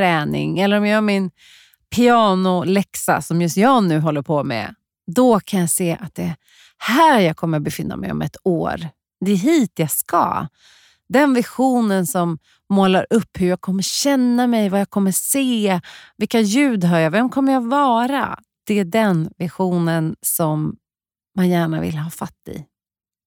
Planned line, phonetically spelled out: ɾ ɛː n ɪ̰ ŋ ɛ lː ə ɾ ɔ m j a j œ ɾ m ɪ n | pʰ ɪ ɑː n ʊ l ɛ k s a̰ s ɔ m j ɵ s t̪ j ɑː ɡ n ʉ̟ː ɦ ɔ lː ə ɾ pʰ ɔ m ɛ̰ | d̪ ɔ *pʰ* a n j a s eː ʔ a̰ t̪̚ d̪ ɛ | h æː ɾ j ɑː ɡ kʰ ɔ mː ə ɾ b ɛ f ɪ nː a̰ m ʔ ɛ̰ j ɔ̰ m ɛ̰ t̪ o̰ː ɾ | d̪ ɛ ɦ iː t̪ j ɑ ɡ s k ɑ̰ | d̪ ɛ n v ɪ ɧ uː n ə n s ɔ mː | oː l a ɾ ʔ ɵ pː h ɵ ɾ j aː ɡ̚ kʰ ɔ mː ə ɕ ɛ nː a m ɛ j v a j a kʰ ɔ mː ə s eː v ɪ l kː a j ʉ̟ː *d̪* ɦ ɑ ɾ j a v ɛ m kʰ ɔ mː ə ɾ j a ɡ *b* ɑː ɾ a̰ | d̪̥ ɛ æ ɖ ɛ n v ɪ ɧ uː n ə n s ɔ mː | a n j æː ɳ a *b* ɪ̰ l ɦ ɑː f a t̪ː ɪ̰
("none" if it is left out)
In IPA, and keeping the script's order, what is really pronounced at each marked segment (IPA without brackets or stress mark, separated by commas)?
kʰ, d̪, v, v